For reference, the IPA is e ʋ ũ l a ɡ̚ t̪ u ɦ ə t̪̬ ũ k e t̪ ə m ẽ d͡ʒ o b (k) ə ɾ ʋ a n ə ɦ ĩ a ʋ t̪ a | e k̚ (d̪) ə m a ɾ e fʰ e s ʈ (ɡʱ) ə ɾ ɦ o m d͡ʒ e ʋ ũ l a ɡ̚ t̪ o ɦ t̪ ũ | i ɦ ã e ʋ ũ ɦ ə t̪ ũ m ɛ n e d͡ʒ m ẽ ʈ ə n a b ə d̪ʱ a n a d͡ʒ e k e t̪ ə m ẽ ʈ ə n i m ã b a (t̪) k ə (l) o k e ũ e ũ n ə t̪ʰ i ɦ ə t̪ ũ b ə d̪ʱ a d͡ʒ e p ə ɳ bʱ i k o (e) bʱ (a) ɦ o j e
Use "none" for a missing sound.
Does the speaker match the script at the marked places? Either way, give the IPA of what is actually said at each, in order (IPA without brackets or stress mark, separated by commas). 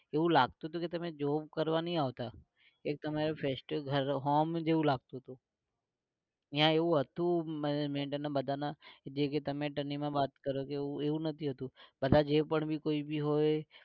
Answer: k, t̪, ɡʱ, t̪, ɾ, i, i